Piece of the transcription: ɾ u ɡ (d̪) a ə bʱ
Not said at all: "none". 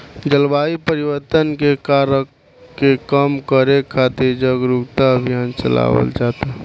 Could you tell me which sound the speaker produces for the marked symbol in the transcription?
t̪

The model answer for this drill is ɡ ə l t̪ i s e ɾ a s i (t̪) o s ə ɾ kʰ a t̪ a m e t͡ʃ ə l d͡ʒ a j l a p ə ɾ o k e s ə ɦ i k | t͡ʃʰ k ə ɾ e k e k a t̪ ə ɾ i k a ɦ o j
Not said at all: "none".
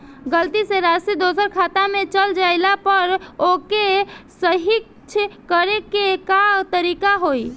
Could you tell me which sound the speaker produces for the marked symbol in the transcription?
d̪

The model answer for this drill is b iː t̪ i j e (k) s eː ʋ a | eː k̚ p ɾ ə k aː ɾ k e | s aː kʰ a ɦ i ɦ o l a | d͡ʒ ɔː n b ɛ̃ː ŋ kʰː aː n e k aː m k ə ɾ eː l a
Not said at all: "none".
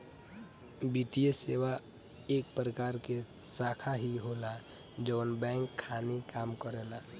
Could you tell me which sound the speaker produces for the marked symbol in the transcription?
none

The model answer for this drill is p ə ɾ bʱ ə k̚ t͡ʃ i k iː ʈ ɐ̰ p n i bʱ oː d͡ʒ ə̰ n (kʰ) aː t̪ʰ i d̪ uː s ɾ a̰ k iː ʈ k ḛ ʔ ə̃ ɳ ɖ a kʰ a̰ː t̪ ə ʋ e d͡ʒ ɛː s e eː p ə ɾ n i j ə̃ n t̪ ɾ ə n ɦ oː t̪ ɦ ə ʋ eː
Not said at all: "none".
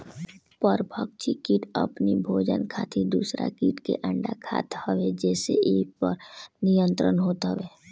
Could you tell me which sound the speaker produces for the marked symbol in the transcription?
kʰ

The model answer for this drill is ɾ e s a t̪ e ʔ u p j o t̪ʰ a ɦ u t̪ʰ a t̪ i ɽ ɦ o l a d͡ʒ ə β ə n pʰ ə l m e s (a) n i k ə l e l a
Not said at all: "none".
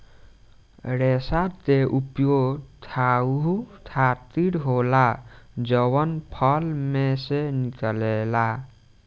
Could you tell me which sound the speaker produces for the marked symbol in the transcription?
e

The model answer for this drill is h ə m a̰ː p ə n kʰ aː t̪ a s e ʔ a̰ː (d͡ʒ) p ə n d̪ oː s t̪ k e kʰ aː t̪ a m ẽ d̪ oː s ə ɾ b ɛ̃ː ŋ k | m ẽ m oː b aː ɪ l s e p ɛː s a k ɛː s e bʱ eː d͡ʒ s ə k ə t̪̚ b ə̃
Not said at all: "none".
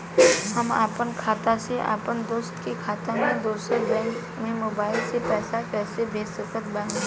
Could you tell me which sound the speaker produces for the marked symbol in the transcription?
none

